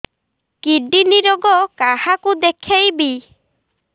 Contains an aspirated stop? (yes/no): yes